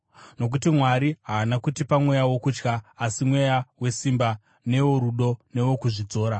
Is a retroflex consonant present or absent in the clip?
present